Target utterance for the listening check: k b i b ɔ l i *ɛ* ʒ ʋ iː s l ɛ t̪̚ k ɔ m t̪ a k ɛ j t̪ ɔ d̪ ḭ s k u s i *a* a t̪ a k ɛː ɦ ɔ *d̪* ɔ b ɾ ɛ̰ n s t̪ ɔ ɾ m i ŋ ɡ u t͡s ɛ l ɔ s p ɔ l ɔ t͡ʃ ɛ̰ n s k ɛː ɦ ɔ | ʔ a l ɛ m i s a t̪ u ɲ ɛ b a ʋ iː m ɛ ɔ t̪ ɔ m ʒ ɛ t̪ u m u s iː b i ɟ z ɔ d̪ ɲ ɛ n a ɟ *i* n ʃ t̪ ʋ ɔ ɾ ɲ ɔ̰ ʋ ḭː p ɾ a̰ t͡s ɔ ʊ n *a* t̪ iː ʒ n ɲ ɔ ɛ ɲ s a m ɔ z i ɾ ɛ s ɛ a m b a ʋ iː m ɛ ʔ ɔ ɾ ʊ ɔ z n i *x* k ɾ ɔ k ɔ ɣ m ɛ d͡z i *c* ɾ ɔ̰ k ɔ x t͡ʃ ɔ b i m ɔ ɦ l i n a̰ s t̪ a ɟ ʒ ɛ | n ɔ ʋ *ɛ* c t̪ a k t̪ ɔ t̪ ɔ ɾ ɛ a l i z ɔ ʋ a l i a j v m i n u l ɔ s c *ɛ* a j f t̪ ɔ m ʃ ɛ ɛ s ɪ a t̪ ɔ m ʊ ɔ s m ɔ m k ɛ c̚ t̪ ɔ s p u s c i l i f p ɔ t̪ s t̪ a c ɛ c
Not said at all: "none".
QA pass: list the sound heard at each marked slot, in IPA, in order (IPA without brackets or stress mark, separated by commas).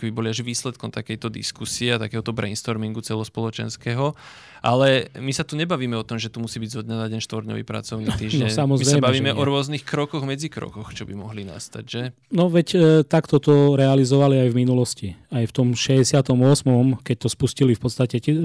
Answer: a, ɛ, t̪, ɛ, i, x, k, ɛ, i